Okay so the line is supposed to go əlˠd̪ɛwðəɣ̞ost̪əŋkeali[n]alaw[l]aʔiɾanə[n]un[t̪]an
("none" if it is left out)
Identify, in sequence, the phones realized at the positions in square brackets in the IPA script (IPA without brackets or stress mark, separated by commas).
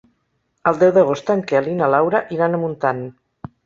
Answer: n, ɾ, m, t̪